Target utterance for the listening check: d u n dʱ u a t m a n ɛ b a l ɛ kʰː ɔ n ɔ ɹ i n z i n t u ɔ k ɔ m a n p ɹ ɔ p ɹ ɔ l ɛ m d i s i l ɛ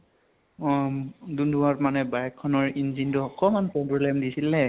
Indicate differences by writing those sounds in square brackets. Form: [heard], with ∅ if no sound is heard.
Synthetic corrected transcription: d u n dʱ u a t m a n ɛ b a [ɹ] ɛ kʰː ɔ n ɔ ɹ i n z i n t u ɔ k ɔ m a n p ɹ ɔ [b] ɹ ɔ l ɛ m d i s i l ɛ